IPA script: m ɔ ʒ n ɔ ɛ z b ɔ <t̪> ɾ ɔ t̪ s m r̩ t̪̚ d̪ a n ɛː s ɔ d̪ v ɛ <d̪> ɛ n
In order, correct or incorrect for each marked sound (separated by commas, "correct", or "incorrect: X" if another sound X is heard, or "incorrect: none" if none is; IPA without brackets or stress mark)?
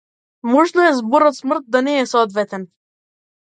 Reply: incorrect: none, incorrect: t̪